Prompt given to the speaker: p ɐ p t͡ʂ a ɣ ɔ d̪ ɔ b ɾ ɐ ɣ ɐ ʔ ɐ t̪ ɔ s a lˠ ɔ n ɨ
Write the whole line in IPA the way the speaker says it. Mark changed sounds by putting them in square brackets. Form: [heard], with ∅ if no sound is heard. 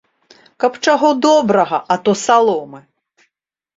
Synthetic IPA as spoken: [k] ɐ p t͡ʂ a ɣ ɔ d̪ ɔ b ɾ ɐ ɣ ɐ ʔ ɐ t̪ ɔ s a lˠ ɔ [m] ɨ

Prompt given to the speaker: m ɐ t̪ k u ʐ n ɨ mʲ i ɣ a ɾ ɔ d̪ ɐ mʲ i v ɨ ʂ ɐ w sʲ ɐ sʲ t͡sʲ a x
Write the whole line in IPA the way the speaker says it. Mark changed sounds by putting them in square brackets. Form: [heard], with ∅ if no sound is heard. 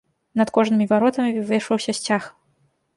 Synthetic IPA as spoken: [n] ɐ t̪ k [ɔ] ʐ n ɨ mʲ i [v] a ɾ ɔ [t̪] ɐ mʲ i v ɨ ʂ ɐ w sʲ ɐ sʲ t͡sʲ a x

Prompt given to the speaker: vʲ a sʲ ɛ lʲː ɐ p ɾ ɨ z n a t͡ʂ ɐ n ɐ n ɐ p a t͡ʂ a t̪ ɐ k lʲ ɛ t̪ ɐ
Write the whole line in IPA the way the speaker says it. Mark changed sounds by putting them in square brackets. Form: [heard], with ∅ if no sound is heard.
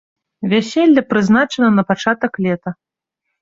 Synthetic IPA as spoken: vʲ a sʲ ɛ lʲː ɐ p ɾ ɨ z n a t͡ʂ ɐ n ɐ n ɐ p a t͡ʂ a t̪ ɐ k lʲ ɛ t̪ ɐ

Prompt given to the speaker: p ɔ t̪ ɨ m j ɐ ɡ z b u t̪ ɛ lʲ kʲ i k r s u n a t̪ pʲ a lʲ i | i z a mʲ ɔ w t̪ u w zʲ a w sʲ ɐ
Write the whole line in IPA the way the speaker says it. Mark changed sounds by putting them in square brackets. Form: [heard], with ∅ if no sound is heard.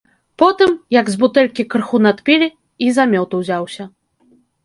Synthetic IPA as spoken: p ɔ t̪ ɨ m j ɐ ɡ z b u t̪ ɛ lʲ kʲ i k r [x] u n a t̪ pʲ [i] lʲ i | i z a mʲ ɔ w t̪ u w zʲ a w sʲ ɐ

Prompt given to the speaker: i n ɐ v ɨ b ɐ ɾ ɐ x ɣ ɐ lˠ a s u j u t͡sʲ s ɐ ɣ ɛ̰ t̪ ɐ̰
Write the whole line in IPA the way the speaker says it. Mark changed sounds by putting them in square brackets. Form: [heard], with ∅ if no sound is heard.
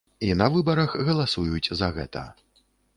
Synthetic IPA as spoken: i n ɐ v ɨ b ɐ ɾ ɐ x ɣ ɐ lˠ a s u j u t͡sʲ [z] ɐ ɣ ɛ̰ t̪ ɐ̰

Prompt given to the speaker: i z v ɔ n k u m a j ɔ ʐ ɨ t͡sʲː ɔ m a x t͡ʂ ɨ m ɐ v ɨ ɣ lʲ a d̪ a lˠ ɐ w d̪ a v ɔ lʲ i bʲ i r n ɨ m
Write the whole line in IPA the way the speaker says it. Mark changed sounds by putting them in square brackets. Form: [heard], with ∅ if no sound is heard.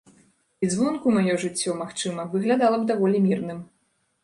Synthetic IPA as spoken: i z v ɔ n k u m a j ɔ ʐ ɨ t͡sʲː ɔ m a x t͡ʂ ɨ m ɐ v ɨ ɣ lʲ a d̪ a lˠ ɐ [b] d̪ a v ɔ lʲ i [mʲ] i r n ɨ m

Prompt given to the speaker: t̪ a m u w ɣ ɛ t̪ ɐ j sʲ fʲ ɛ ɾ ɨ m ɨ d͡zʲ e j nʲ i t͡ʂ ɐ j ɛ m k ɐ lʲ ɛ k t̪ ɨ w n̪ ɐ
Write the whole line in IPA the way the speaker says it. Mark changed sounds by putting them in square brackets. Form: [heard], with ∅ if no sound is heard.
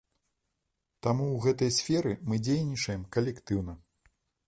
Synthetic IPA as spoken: t̪ a m u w ɣ ɛ t̪ ɐ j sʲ fʲ ɛ ɾ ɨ m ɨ d͡zʲ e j nʲ i t͡ʂ ɐ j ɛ m k ɐ lʲ ɛ k t̪ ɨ w n̪ ɐ

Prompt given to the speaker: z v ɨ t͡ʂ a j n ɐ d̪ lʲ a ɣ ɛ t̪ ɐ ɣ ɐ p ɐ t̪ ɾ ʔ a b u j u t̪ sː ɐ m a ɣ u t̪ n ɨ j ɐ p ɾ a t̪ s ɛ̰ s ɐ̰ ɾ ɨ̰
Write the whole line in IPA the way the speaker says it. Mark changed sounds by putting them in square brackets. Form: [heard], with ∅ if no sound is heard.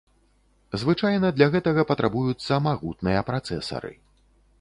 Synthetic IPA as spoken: z v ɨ t͡ʂ a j n ɐ d̪ lʲ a ɣ ɛ t̪ ɐ ɣ ɐ p ɐ t̪ ɾ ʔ a b u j u t̪ sː ɐ m a ɣ u t̪ n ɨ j ɐ p ɾ a t̪ s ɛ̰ s ɐ̰ ɾ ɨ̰

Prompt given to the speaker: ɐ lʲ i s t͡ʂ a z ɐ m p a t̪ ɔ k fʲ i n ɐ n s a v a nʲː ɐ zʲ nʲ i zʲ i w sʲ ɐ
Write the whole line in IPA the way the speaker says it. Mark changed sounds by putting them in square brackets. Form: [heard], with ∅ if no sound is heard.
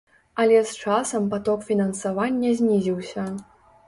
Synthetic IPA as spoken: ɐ lʲ [ɛ] s t͡ʂ a [s] ɐ m p a t̪ ɔ k fʲ i n ɐ n s a v a nʲː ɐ zʲ nʲ i zʲ i w sʲ ɐ

